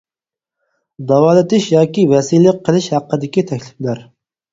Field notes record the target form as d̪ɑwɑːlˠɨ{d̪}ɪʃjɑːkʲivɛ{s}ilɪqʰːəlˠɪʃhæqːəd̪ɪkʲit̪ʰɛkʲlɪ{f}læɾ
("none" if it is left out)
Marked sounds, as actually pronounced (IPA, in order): t̪, s, f

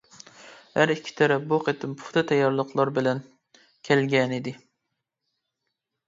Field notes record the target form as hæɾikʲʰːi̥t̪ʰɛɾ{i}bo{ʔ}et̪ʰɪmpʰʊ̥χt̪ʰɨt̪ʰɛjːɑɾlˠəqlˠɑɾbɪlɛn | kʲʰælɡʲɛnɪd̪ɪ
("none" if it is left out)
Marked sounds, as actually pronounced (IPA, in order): ɛ, q

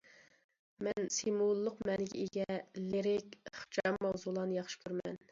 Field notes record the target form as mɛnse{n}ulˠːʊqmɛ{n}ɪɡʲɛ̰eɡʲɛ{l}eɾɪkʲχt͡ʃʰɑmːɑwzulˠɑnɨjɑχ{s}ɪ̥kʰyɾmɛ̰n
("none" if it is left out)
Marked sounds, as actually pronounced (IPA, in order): m, n, l, ʃ

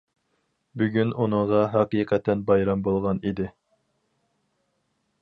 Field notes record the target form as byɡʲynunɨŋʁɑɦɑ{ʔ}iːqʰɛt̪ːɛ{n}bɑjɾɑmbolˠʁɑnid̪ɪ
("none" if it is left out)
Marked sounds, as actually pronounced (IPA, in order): q, n

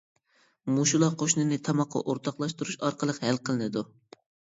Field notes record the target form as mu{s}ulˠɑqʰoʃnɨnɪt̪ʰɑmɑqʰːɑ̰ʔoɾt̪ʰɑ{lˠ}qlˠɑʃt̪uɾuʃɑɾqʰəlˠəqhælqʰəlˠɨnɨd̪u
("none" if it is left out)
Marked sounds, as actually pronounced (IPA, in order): ʃ, none

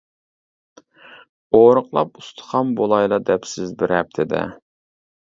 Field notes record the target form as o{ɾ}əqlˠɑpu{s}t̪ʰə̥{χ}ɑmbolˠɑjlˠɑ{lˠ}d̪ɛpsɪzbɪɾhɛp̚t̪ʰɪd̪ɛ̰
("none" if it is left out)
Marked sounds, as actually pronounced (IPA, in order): ɾ, s, χ, none

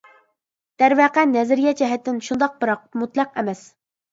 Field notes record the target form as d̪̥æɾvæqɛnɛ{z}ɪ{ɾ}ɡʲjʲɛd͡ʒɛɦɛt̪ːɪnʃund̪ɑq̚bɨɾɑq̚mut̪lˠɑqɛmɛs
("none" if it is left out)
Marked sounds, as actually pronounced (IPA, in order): z, ɾ

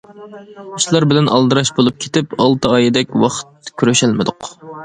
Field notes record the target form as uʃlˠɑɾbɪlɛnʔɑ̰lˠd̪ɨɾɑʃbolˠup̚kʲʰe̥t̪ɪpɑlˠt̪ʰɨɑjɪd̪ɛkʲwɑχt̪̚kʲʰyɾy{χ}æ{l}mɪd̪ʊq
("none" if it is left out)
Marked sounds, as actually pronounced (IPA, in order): ʃ, l

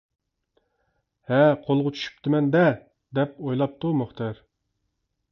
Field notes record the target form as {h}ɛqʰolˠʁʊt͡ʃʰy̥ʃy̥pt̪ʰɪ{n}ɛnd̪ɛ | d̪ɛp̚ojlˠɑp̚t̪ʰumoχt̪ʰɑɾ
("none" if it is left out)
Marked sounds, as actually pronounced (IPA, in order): h, m

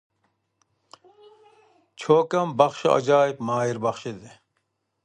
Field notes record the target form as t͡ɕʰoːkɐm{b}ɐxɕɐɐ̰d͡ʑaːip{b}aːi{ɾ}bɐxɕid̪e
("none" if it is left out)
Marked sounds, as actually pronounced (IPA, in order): b, m, ɾ

